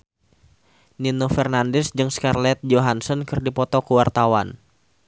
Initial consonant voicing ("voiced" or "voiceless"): voiced